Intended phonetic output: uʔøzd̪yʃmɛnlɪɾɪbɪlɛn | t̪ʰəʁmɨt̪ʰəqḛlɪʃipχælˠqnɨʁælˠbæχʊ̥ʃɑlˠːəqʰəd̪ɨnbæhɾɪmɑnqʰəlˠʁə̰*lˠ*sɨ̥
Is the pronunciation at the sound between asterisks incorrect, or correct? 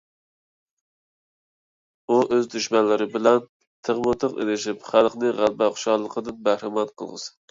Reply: incorrect: none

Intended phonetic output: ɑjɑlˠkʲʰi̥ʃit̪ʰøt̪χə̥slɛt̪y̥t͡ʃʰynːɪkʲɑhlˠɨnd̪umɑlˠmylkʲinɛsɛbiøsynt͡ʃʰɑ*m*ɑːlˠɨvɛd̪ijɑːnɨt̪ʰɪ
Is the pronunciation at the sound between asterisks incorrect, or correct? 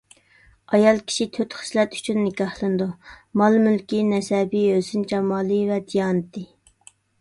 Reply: correct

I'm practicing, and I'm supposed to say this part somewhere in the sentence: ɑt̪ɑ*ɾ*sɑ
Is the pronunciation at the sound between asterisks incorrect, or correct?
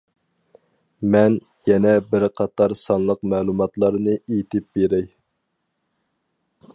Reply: correct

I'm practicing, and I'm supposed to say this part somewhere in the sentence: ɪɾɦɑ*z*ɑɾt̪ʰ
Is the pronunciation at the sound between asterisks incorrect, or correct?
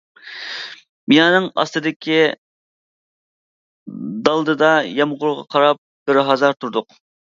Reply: correct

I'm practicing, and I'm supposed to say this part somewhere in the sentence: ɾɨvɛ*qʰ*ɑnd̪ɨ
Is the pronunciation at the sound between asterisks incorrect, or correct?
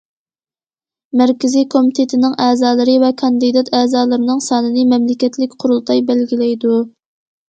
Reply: incorrect: kʰ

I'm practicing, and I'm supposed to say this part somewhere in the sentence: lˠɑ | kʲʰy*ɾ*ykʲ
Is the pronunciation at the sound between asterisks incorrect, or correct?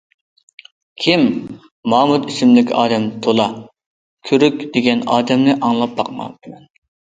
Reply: correct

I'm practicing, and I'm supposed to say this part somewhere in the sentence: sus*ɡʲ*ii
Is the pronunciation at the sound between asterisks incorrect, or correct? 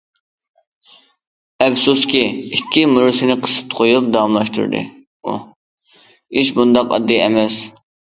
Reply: incorrect: kʲ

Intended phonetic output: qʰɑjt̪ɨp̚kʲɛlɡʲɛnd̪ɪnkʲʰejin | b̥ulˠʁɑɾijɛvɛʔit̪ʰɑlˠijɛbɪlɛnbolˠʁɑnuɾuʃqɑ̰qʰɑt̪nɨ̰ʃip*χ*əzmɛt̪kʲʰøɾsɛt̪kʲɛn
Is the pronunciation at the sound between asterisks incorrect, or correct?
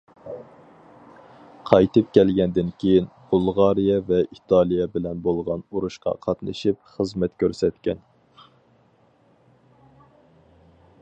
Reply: correct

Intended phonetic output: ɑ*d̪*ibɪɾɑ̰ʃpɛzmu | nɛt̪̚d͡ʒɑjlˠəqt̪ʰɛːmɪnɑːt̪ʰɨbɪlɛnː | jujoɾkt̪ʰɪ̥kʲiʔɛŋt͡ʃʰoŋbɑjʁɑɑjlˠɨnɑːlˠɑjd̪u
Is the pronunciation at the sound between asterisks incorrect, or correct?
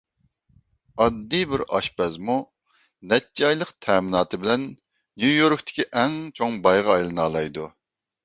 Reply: incorrect: d̪ː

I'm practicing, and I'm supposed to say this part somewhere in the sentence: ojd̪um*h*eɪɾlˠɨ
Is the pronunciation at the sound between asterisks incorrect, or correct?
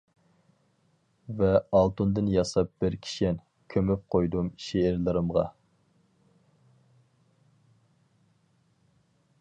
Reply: incorrect: ʃ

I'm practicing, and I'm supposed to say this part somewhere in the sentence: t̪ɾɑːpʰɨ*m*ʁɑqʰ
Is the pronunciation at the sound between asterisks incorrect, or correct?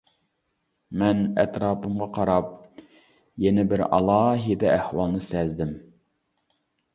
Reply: correct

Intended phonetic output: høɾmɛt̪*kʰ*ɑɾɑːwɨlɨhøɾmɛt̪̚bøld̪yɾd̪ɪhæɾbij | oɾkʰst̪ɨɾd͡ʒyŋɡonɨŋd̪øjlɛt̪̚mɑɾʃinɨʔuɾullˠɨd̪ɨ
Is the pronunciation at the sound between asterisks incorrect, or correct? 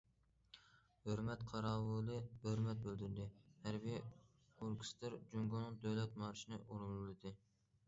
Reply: incorrect: qʰ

